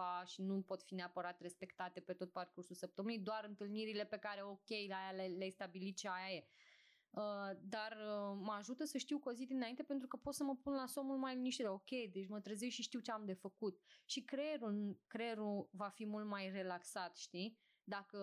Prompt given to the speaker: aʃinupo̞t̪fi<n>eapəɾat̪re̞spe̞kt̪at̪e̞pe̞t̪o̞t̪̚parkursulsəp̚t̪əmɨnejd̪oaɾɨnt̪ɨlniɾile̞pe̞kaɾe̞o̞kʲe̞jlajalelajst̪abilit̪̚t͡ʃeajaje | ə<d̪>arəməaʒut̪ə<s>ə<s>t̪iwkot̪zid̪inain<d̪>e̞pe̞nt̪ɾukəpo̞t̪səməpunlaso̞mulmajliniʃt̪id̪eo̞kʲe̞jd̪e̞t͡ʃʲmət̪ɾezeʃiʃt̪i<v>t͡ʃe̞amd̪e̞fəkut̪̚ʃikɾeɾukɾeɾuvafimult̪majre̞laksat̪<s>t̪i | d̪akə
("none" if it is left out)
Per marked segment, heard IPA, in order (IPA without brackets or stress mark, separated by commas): n, d̪, s, ʃ, t̪, w, ʃ